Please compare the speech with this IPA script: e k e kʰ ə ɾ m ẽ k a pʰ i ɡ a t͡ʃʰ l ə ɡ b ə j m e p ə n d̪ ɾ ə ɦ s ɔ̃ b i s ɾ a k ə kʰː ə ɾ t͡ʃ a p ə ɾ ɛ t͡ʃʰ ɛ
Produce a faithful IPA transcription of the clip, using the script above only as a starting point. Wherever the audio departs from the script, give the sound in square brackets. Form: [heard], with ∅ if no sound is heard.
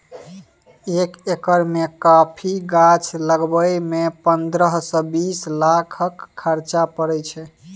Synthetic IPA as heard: e k e [k] ə ɾ m [e] k a pʰ i ɡ a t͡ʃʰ l ə ɡ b ə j m e p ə n d̪ ɾ ə ɦ s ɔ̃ b i s [l] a [kʰ] ə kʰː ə ɾ t͡ʃ a p ə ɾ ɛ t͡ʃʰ ɛ